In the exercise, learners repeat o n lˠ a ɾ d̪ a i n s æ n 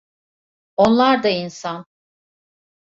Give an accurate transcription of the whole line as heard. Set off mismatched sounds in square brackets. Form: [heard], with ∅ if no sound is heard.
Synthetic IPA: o n lˠ a ɾ d̪ a i n s [a] n